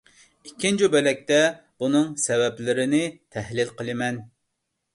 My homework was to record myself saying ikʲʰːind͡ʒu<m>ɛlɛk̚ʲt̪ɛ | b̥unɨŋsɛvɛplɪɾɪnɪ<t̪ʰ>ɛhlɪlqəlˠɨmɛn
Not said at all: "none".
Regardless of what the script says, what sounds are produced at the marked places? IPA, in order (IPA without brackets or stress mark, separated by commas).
b, t̪ʰ